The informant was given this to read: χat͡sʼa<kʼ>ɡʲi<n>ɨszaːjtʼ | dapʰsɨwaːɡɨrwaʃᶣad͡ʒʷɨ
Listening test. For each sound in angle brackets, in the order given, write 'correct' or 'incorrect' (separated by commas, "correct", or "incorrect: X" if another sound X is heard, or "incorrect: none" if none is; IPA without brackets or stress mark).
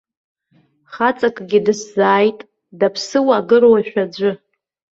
correct, incorrect: d